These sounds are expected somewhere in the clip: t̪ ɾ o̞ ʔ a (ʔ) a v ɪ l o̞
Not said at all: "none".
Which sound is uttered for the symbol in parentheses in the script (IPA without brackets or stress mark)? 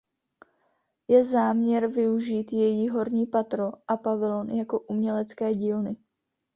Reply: p